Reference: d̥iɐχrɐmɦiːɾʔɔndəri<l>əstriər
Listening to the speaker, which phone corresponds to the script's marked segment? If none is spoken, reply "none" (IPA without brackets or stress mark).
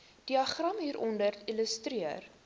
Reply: l